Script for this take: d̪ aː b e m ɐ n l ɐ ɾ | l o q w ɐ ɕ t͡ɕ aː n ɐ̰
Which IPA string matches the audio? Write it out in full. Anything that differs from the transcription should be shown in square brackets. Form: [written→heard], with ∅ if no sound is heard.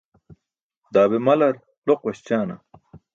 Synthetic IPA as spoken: d̪ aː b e m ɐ [n→∅] l ɐ ɾ | l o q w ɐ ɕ t͡ɕ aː n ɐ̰